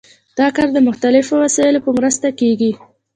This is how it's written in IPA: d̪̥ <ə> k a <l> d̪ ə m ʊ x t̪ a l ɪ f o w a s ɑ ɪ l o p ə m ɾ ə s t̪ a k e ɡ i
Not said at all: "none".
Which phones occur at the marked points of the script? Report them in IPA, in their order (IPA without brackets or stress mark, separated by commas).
ɑ, ɾ